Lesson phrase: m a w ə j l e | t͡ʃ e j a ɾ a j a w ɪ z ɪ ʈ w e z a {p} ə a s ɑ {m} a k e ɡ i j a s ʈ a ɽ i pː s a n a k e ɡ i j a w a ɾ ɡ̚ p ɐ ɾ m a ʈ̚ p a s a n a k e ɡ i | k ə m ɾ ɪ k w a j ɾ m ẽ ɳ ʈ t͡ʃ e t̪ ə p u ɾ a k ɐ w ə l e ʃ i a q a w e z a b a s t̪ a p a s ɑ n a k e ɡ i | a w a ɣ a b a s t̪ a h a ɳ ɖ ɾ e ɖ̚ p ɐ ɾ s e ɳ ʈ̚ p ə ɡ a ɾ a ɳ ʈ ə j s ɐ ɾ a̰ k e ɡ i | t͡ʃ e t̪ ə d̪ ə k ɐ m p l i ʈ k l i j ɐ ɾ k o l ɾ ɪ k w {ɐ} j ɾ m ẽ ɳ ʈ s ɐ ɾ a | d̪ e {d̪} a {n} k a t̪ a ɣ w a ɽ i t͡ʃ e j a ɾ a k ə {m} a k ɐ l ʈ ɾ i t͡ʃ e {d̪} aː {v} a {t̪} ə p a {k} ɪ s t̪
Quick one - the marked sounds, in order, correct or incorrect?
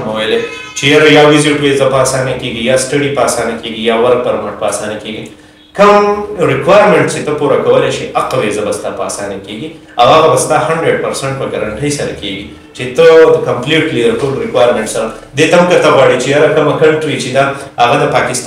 correct, incorrect: n, incorrect: a, incorrect: t̪, incorrect: m, correct, correct, incorrect: ɣ, incorrect: d̪, correct

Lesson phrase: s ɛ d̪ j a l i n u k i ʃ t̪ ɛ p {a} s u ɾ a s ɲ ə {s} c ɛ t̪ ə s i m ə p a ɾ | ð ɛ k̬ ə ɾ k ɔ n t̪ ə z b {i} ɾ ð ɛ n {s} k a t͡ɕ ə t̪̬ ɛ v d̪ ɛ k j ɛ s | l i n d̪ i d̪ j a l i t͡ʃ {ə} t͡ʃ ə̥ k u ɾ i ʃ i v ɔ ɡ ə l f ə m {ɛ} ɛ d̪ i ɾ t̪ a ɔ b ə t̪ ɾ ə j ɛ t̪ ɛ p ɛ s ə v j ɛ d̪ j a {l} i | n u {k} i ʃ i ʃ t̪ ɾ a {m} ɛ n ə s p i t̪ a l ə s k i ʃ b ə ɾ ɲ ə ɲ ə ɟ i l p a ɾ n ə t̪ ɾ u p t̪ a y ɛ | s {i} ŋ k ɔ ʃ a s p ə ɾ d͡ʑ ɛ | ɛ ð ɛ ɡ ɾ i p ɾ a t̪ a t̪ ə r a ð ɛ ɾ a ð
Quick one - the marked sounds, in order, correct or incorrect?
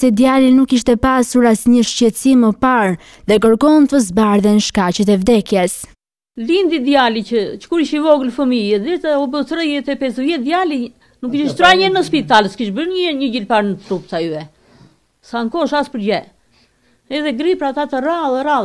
correct, incorrect: ʃ, incorrect: a, incorrect: ʃ, correct, incorrect: i, correct, correct, incorrect: ɲ, incorrect: a

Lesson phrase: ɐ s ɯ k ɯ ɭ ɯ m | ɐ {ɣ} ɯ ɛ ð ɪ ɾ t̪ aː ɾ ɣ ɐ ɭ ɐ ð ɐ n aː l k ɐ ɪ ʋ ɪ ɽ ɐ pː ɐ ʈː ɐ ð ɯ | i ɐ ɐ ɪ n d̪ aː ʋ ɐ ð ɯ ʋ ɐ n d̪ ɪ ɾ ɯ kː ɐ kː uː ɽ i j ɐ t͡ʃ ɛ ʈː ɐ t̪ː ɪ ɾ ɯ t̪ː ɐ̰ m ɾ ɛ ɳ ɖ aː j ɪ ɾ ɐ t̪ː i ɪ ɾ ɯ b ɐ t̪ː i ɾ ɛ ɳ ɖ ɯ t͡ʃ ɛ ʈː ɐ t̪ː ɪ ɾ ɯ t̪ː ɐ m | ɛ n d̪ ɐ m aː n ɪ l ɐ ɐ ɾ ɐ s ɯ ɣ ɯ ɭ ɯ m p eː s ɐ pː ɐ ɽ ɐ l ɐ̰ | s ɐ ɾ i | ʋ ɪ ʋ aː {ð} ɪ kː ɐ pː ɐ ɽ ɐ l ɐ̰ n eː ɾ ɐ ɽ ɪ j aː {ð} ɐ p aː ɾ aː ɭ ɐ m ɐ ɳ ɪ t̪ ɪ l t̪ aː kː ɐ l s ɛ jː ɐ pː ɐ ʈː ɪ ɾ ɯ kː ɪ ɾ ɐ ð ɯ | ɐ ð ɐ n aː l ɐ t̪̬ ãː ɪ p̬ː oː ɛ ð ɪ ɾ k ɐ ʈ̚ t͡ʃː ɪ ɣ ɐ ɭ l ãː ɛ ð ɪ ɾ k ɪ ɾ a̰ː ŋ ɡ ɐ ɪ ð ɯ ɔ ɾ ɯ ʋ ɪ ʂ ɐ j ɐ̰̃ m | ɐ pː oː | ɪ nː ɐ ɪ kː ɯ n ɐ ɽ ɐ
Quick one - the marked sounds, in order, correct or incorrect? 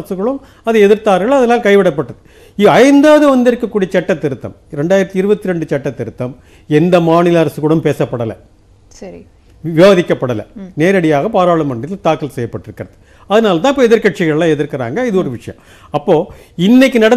incorrect: ð, correct, incorrect: ɣ

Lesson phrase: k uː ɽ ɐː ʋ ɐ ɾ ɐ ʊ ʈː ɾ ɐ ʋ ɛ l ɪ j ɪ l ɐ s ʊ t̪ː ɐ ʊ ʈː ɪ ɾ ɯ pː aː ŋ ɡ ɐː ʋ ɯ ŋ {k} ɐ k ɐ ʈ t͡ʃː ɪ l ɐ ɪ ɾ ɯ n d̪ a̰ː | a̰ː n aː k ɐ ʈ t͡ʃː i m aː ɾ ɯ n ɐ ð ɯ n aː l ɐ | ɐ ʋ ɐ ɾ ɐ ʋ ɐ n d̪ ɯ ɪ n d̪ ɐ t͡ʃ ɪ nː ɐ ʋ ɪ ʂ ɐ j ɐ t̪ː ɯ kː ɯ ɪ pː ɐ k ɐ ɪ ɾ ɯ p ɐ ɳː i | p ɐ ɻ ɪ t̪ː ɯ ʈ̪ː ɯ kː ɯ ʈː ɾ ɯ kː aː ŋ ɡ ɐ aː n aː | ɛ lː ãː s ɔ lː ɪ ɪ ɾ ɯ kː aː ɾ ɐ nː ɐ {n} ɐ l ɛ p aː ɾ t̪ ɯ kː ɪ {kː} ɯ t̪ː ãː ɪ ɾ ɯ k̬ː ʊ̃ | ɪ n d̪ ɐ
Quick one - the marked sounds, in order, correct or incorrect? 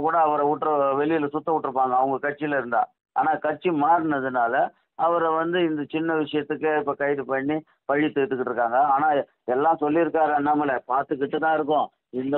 incorrect: ɡ, incorrect: m, incorrect: ʈː

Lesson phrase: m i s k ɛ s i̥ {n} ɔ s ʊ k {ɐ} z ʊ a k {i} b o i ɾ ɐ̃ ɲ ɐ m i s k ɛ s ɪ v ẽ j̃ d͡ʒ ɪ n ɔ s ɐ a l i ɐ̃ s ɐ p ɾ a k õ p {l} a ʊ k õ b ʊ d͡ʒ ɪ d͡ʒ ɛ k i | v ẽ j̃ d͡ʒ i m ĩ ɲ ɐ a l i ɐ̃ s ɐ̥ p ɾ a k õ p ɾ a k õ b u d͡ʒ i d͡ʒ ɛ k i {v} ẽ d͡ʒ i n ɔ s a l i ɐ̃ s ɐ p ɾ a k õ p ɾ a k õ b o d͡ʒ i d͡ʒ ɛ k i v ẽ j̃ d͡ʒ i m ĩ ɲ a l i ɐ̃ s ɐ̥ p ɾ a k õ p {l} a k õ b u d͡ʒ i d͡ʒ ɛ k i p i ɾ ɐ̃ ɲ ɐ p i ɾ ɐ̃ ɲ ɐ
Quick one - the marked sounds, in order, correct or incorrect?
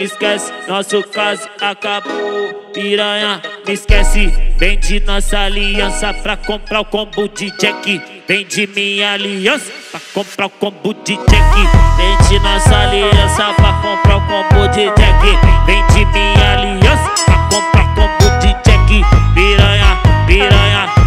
correct, incorrect: a, incorrect: a, incorrect: ɾ, correct, incorrect: ɾ

